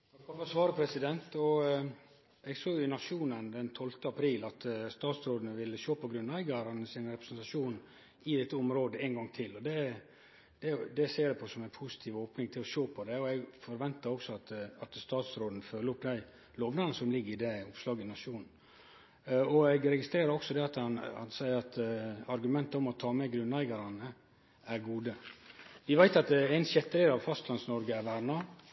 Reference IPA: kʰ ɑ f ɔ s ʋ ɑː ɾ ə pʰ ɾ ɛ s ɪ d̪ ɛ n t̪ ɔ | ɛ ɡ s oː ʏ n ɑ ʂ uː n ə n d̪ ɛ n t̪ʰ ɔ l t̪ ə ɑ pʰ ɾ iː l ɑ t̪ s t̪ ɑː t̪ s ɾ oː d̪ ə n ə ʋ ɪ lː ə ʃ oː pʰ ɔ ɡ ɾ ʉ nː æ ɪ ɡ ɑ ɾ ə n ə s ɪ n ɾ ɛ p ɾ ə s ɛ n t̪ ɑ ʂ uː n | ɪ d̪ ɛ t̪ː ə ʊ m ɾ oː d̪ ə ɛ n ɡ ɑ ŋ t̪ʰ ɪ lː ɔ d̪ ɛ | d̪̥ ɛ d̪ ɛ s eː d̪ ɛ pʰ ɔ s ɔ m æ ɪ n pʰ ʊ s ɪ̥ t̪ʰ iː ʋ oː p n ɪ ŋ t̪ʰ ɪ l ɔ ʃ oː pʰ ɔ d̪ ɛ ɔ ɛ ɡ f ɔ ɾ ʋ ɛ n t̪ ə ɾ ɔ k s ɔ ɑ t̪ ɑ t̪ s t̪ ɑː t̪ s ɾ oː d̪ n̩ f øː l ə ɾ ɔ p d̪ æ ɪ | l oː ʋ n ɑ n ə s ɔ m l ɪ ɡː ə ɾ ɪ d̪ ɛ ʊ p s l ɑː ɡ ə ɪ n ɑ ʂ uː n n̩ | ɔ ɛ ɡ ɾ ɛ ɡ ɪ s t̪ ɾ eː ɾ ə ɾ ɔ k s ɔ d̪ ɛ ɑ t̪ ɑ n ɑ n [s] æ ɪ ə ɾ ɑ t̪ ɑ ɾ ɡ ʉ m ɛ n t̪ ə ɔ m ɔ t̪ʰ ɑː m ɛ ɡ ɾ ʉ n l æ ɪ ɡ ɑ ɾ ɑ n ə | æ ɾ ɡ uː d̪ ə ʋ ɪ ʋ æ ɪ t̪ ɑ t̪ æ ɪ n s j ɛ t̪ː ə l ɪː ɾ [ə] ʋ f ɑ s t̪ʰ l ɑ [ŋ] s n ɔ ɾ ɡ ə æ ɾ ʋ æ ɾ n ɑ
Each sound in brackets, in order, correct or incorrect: correct, incorrect: ɑ, incorrect: n

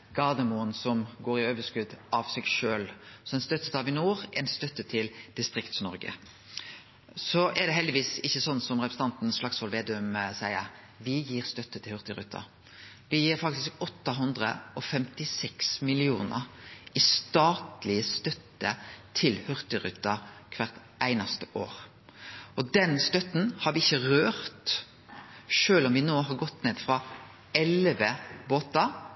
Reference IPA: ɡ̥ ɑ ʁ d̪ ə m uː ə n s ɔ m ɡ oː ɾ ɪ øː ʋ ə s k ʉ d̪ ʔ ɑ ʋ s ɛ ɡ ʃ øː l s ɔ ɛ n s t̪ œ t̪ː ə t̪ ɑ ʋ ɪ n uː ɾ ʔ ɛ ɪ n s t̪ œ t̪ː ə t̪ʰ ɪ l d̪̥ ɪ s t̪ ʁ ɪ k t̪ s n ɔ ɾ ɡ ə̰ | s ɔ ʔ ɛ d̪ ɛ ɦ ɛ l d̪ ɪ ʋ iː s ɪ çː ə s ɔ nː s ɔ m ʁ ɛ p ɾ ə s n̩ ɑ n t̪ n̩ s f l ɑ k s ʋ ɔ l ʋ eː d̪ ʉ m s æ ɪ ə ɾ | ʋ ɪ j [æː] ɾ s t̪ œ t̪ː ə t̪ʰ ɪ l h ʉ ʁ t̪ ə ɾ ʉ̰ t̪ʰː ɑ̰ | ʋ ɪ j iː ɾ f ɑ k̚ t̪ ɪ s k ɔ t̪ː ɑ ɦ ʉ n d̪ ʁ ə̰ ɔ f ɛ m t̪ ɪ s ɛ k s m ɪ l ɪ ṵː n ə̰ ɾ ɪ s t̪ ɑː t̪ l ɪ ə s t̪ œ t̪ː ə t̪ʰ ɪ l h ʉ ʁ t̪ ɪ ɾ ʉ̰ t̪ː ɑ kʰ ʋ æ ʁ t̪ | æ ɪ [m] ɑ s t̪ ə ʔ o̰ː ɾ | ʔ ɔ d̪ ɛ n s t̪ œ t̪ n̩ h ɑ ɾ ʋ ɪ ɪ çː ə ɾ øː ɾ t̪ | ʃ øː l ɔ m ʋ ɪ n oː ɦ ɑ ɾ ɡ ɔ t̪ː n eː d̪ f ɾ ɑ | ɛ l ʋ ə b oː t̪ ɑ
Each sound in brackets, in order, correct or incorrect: incorrect: iː, incorrect: n

